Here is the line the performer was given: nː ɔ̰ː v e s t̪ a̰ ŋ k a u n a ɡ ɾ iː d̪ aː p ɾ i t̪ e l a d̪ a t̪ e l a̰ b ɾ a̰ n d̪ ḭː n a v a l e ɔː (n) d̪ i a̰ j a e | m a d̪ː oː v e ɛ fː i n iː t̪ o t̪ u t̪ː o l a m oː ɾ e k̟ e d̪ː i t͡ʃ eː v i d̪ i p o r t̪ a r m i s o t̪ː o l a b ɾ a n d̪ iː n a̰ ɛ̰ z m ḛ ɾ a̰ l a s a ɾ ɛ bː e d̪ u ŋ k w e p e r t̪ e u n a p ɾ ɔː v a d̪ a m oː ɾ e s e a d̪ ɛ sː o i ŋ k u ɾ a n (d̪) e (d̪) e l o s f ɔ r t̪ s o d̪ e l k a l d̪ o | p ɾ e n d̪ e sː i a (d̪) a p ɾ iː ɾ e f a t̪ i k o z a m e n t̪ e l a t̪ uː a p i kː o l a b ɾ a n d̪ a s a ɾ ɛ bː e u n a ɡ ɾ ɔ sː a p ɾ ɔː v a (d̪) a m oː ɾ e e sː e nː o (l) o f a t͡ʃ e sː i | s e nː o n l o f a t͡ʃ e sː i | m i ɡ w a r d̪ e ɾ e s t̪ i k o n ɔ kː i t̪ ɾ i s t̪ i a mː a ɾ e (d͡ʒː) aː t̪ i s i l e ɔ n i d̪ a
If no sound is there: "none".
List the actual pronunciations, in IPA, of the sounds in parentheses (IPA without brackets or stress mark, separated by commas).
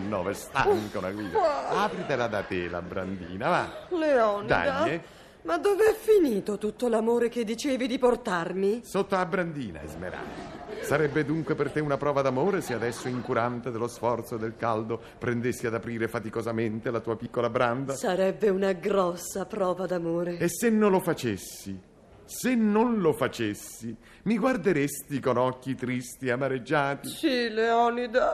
n, t̪, d̪, d̪, d̪, l, d͡ʒː